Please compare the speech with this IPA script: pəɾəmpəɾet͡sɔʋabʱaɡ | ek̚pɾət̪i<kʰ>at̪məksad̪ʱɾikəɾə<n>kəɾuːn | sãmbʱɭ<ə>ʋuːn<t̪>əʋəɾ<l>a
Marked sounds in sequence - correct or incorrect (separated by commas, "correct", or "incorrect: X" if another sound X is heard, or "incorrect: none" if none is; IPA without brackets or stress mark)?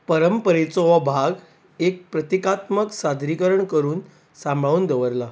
incorrect: k, incorrect: ɳ, incorrect: a, incorrect: d̪, correct